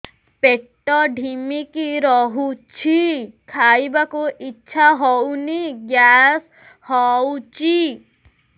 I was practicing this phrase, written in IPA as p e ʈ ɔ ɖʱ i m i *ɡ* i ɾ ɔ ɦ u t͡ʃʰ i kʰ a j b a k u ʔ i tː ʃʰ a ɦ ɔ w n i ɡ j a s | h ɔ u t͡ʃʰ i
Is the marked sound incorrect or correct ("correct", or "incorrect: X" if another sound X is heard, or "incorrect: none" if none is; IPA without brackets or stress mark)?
incorrect: k